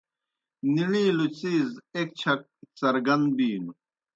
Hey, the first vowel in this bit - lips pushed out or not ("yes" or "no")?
no